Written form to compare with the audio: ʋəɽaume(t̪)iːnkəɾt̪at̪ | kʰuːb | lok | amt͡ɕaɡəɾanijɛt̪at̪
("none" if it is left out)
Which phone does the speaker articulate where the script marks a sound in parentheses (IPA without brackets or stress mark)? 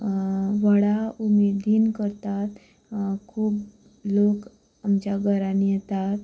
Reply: d̪